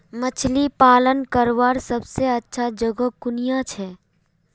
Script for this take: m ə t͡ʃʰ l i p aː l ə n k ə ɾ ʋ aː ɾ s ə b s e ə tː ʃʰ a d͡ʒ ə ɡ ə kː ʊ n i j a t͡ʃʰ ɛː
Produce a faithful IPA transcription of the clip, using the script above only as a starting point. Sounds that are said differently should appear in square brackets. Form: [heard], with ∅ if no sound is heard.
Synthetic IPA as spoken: m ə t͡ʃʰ l i p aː l ə n k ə ɾ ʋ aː ɾ s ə b s e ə tː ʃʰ a d͡ʒ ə ɡ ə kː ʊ n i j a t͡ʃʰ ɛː